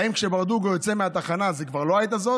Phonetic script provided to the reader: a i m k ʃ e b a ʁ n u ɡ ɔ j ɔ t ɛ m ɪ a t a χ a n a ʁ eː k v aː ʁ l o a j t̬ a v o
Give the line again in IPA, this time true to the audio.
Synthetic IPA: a i m k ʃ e b a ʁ d u ɡ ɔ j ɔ t͡s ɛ m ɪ a t a χ a n a z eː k v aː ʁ l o a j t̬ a z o

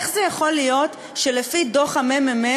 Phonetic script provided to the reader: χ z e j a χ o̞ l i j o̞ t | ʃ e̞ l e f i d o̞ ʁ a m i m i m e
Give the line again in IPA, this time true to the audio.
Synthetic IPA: χ z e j a χ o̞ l i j o̞ t | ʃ e̞ l e f i d o̞ χ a m e m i m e

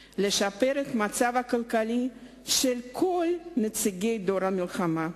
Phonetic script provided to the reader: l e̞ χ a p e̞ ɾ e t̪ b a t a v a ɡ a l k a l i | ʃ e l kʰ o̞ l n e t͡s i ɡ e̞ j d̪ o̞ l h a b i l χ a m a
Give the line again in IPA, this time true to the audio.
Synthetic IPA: l e̞ ʃ a p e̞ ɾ e t̪ m a t͡s a v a k a l k a l i | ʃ e l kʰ o̞ l n e t͡s i ɡ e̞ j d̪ o̞ ɾ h a m i l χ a m a

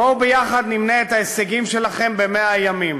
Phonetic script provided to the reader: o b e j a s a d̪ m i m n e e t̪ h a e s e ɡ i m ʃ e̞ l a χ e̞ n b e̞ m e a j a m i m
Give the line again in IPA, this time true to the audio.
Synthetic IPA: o b e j a χ a d̪ n i m n e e t̪ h a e s e ɡ i m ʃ e̞ l a χ e̞ m b e̞ m e a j a m i m

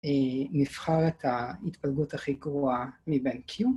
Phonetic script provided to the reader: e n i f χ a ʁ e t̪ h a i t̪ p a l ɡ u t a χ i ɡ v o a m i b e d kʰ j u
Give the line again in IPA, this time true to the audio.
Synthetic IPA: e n i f χ a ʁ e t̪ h a i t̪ p a l ɡ u t a χ i ɡ ʁ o a m i b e n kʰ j u

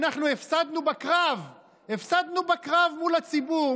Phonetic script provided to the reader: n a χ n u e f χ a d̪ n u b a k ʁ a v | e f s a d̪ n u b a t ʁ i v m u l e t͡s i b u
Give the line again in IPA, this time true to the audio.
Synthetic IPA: n a χ n u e f s a d̪ n u b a k ʁ a v | e f s a d̪ n u b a k ʁ a v m u l a t͡s i b u

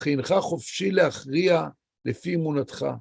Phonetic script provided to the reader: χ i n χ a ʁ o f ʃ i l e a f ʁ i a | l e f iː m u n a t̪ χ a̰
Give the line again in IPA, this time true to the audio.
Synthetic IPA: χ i n χ a χ o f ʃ i l e a χ ʁ i a | l e f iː m u n a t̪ χ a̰

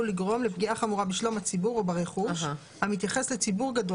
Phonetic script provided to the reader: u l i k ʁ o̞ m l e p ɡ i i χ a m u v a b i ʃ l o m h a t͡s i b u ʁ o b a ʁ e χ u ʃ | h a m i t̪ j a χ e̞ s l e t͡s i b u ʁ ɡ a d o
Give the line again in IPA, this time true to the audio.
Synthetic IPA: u l i ɡ ʁ o̞ m l e p ɡ i a χ a m u ʁ a b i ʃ l o m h a t͡s i b u ʁ o b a ʁ e χ u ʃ | h a m i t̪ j a χ e̞ s l e t͡s i b u ʁ ɡ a d o

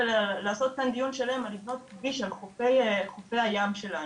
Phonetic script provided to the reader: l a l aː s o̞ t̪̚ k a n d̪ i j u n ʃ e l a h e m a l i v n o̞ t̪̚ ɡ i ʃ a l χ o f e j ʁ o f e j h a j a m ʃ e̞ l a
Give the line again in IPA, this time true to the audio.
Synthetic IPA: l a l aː s o̞ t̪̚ k a n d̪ i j u n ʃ e l a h e m a l i v n o̞ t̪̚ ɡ i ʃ a l χ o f e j χ o f e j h a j a m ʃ e̞ l a

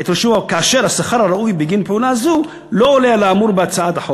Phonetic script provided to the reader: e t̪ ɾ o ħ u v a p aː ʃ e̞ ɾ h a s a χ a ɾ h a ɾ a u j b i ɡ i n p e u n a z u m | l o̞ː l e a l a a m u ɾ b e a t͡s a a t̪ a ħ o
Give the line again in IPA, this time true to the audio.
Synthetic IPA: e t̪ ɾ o ʃ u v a k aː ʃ e̞ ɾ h a s a χ a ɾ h a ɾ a u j b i ɡ i n p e u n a z u | l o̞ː l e a l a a m u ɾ b e a t͡s a a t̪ a ħ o

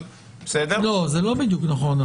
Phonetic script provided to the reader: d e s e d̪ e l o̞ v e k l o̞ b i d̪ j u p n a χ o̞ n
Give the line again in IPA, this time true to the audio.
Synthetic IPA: b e s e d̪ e l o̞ z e l o̞ b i d̪ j u k n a χ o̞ n

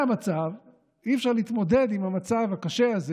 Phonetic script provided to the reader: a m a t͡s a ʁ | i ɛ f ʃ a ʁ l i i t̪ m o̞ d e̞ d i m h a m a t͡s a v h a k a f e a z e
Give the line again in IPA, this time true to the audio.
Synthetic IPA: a m a t͡s a v | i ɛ f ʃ a ʁ l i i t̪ m o̞ d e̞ d i m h a m a t͡s a v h a k a ʃ e a z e

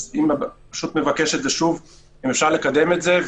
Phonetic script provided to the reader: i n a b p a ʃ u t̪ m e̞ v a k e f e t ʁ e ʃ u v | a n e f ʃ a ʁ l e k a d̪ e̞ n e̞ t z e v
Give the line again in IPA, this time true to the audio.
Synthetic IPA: i m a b p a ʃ u t̪ m e̞ v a k e ʃ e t z e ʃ u v | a m e f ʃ a ʁ l e k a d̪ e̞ m e̞ t z e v

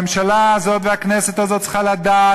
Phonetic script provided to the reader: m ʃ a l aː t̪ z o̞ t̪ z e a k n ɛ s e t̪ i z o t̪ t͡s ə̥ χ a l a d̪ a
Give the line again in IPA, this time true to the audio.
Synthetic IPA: m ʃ a l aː z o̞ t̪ v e a k n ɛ s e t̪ a z o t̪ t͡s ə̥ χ a l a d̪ a

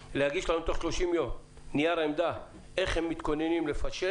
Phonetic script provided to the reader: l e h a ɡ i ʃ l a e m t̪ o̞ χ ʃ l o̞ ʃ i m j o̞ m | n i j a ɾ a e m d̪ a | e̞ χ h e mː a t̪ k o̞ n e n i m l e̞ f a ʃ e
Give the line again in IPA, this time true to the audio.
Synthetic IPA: l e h a ɡ i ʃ l a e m t̪ o̞ χ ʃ l o̞ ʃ i m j o̞ m | n i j a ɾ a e m d̪ a | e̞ χ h e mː i t̪ k o̞ n e n i m l e̞ f a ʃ e

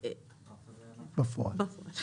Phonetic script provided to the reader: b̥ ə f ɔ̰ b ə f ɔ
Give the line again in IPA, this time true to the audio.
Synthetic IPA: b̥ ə f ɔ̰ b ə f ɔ

